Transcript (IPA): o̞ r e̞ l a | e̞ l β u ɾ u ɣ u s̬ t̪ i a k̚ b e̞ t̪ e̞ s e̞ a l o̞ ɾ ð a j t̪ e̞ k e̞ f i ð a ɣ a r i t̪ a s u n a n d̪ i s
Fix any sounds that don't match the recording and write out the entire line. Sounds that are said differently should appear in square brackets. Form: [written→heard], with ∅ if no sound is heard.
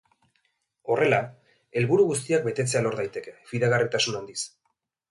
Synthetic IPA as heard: o̞ r e̞ l a | e̞ l β u ɾ u ɣ u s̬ t̪ i a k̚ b e̞ t̪ e̞ [s→t͡s] e̞ a l o̞ ɾ ð a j t̪ e̞ k e̞ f i ð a ɣ a r i t̪ a s u n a n d̪ i s